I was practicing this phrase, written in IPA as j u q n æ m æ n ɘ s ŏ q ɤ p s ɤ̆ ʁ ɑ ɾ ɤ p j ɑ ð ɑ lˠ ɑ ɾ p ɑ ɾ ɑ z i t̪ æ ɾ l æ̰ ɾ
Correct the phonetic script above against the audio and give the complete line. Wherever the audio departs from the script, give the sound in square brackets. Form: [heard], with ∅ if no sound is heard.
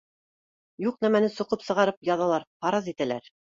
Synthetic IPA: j u q n æ m æ n ɘ s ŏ q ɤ p s ɤ̆ ʁ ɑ ɾ ɤ p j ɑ ð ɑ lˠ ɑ ɾ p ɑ ɾ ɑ z i t̪ æ [∅] l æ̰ ɾ